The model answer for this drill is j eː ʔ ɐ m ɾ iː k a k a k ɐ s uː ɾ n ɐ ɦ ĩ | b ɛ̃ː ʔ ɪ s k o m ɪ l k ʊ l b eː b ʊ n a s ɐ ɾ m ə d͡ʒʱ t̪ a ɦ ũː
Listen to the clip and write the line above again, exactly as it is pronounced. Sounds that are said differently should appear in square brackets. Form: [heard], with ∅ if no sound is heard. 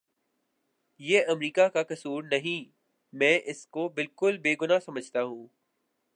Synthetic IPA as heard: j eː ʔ ɐ m ɾ iː k a k a k ɐ s uː ɾ n ɐ ɦ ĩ | [m] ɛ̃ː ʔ ɪ s k o [b] ɪ l k ʊ l b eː [ɡ] ʊ n a s ɐ [∅] m ə d͡ʒʱ t̪ a ɦ ũː